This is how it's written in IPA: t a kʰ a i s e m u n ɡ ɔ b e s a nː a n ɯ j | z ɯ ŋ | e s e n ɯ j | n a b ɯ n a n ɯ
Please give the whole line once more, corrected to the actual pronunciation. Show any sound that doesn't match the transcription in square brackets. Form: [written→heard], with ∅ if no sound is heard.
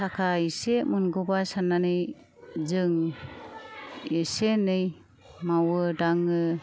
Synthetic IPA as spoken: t a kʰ a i s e m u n ɡ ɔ b [e→a] s a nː a n ɯ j | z ɯ ŋ | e s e n ɯ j | [n→m] a [b→w] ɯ [n→d] a [n→ŋ] ɯ

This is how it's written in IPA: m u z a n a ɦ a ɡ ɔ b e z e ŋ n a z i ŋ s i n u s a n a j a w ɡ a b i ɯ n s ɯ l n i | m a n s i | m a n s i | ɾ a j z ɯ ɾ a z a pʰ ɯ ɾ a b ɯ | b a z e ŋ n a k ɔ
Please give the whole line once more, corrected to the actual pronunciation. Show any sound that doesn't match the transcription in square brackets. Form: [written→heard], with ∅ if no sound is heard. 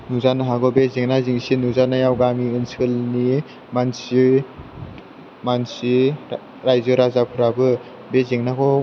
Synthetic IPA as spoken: [m→n] u z a n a ɦ a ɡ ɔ b e z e ŋ n a z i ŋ s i n u [s→z] a n a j a w ɡ a [b→m] i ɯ n s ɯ l n i | m a n s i | m a n s i | ɾ a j z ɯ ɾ a z a pʰ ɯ ɾ a b ɯ | b [a→e] z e ŋ n a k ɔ

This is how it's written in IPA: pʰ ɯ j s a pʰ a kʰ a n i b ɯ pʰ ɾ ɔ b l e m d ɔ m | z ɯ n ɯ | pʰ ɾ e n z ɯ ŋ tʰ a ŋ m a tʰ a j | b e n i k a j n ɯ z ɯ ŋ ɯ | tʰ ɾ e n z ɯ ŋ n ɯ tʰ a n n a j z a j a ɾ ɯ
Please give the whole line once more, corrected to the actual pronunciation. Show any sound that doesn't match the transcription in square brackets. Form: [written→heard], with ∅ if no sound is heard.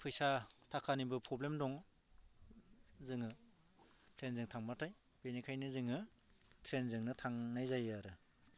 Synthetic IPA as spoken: pʰ ɯ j s a [pʰ→tʰ] a kʰ a n i b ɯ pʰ ɾ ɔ b l e m d ɔ [m→ŋ] | z ɯ [n→ŋ] ɯ | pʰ ɾ e n z ɯ ŋ tʰ a ŋ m a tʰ a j | b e n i [k→kʰ] a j n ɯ z ɯ ŋ ɯ | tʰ ɾ e n z ɯ ŋ n ɯ tʰ a [n→ŋ] n a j z a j a ɾ ɯ

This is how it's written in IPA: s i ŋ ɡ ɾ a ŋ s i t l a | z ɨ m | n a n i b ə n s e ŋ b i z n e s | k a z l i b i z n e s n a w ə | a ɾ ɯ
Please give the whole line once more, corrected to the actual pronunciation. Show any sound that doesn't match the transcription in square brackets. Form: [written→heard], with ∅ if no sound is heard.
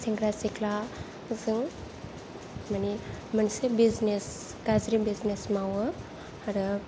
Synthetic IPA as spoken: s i ŋ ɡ ɾ a [ŋ→∅] s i [t→k] l a | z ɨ [m→ŋ] | [n→m] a n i [b→m] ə n s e [ŋ→∅] b i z n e s | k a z [l→ɾ] i b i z n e s [n→m] a w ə | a ɾ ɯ

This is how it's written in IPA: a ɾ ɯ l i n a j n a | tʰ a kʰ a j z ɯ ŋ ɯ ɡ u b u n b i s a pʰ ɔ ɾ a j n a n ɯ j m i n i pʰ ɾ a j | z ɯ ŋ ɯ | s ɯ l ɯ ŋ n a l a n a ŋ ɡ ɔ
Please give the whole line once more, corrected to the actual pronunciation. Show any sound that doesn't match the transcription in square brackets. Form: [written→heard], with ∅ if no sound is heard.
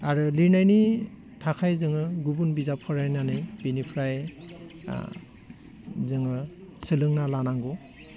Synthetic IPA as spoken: a ɾ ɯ l i n a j n [a→i] | tʰ a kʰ a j z ɯ ŋ ɯ ɡ u b u n b i [s→z] a pʰ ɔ ɾ a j n a n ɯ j [m→b] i n i pʰ ɾ a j | z ɯ ŋ ɯ | s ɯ l ɯ ŋ n a l a n a ŋ ɡ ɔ

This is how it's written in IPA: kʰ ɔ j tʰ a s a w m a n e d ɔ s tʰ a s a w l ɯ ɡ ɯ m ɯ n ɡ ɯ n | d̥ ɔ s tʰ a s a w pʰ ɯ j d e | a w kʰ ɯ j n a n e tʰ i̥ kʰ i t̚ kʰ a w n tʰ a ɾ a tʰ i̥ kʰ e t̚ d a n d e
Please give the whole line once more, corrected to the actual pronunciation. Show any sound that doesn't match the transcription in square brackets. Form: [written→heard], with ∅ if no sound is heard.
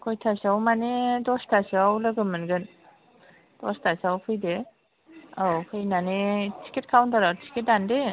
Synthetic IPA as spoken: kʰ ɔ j tʰ a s a w m a n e d ɔ s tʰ a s a w l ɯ ɡ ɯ m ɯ n ɡ ɯ n | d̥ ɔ s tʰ a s a w pʰ ɯ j d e | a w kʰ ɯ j n a n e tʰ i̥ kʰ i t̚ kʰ a w n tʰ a ɾ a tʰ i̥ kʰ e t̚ d a n d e

